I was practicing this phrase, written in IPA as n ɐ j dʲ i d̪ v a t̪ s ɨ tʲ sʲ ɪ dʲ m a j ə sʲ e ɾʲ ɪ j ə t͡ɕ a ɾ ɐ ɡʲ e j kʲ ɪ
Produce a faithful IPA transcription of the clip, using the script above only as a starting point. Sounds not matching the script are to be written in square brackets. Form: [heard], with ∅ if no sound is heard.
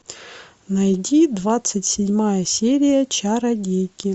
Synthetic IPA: n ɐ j dʲ i d̪ v a t̪ s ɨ tʲ sʲ ɪ dʲ m a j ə sʲ e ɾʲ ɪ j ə t͡ɕ a ɾ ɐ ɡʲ e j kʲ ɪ